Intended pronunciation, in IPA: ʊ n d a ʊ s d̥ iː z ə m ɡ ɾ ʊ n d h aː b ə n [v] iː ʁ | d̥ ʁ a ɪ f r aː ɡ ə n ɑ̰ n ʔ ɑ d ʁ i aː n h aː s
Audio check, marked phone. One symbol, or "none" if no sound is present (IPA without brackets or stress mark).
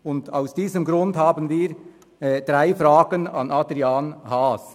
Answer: v